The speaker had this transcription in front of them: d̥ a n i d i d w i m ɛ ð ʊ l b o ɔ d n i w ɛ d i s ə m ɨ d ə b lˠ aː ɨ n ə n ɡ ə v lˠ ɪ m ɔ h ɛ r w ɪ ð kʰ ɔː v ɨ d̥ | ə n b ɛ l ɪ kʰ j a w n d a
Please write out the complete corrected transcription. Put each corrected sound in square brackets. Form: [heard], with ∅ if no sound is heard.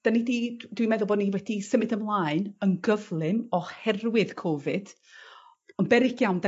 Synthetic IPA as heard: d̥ a n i d i d w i m ɛ ð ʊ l b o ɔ d n i w ɛ d i s ə m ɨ d ə [m] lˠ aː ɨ n ə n ɡ ə v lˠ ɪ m ɔ h ɛ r w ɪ ð kʰ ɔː v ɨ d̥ | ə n b ɛ [ɾ] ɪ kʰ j a w n d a